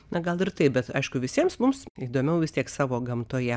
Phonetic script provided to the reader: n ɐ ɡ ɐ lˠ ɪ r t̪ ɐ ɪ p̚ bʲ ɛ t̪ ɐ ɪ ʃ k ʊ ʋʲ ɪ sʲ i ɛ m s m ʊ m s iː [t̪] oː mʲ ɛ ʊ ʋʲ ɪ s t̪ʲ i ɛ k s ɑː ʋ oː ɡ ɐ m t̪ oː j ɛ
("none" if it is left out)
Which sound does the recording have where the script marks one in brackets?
d̪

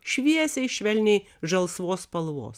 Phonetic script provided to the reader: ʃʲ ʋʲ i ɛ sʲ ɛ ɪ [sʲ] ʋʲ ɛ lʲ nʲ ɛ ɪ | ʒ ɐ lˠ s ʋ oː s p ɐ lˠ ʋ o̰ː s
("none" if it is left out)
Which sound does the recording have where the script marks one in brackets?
ʃʲ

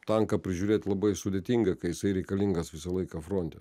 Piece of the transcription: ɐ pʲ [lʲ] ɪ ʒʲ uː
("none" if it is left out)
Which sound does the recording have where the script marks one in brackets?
ɾʲ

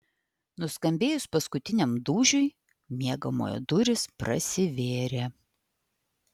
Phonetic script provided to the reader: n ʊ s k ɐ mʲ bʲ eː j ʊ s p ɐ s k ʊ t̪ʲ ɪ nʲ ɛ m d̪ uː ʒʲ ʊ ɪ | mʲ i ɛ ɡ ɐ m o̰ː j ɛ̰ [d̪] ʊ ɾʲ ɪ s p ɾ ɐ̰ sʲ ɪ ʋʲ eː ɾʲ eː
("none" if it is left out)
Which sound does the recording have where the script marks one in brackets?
d̪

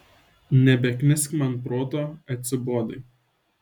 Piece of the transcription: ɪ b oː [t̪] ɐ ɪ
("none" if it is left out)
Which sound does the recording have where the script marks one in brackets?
d̪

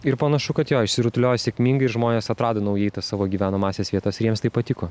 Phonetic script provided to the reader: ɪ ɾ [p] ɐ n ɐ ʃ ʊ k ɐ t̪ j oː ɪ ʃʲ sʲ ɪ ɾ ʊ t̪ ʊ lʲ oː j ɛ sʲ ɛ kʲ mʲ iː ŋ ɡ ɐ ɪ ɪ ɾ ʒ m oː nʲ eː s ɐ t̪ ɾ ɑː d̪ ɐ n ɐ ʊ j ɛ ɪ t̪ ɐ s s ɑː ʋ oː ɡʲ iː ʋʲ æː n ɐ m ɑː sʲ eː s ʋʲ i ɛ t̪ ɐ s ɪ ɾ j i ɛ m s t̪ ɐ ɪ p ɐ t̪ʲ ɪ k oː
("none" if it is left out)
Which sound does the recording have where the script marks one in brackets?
p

